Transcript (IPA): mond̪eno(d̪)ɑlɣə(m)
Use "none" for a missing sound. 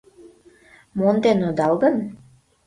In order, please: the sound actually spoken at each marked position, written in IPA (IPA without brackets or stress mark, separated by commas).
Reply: d̪, n